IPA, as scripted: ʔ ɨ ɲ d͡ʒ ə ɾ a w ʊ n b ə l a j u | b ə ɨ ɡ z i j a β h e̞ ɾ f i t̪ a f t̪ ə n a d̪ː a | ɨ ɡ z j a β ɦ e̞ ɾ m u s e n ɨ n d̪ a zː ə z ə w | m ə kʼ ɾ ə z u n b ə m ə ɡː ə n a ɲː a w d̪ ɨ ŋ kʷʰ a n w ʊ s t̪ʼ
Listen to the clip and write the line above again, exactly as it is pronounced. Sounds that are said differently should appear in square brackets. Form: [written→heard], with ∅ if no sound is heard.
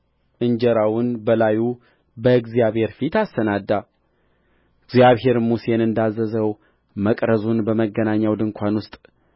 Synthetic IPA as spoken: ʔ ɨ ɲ d͡ʒ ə ɾ a w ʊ n b ə l a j u | b ə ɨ ɡ z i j a β h e̞ ɾ f i t̪ a [f→s] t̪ ə n a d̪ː a | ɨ ɡ z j a β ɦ e̞ ɾ m u s e n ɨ n d̪ a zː ə z ə w | m ə kʼ ɾ ə z u n b ə m ə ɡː ə n a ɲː a w d̪ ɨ ŋ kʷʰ a n w ʊ s t̪ʼ